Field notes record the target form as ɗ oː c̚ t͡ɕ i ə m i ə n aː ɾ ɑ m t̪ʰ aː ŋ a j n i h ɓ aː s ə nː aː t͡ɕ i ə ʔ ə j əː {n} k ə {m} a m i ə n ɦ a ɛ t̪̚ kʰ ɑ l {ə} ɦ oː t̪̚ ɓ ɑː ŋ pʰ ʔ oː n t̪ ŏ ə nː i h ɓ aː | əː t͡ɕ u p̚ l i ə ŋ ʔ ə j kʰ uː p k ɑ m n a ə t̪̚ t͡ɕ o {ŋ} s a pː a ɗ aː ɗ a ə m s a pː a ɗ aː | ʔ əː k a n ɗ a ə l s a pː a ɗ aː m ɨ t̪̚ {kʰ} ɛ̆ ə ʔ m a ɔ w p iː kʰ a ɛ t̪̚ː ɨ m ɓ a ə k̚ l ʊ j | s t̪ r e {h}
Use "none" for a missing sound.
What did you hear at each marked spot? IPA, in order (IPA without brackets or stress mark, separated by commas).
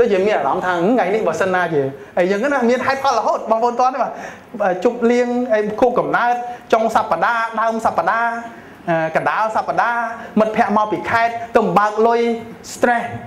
ŋ, n, ə, ŋ, pʰ, h